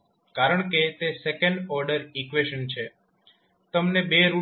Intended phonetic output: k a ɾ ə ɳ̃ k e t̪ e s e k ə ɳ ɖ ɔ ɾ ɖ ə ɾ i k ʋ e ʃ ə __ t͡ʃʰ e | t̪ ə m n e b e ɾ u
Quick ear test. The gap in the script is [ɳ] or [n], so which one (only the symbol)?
n